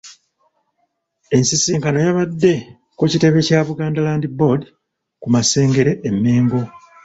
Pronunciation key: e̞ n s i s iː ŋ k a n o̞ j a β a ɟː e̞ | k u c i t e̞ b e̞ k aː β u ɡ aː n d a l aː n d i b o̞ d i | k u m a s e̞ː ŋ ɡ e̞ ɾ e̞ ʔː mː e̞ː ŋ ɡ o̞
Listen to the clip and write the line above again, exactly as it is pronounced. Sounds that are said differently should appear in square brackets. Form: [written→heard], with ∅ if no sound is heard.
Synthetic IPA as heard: e̞ n s i s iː ŋ k a n o̞ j a β a [ɟː→dː] e̞ | k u c i t e̞ [b→β] e̞ [k→c] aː β u ɡ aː n d a l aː n d i b o̞ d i | k u m a s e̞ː ŋ ɡ e̞ ɾ e̞ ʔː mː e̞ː ŋ ɡ o̞